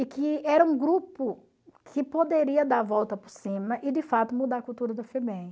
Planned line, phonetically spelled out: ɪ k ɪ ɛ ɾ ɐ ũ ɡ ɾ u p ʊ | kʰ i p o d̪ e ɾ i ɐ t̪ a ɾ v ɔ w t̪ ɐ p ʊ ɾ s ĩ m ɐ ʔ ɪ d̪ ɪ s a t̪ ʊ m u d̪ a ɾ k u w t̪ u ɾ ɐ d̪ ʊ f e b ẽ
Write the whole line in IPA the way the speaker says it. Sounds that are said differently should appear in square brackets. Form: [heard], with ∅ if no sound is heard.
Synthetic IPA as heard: ɪ k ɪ ɛ ɾ ɐ ũ ɡ ɾ u p ʊ | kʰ [ɪ] p o d̪ e ɾ i ɐ [d̪] a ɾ v ɔ w t̪ ɐ p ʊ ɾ s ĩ m ɐ ʔ ɪ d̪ ɪ [f] a t̪ ʊ m u d̪ a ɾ k u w t̪ u ɾ ɐ d̪ ʊ f e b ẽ